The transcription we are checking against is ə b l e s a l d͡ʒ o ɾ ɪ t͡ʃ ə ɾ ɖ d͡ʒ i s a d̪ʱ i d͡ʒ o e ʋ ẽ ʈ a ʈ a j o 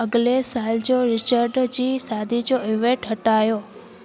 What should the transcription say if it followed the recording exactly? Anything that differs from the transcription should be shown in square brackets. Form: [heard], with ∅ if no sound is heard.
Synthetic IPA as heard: ə [ɡ] l e s a l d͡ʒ o ɾ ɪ t͡ʃ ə ɾ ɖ d͡ʒ i s a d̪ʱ i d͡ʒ o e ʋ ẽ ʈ [ə] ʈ a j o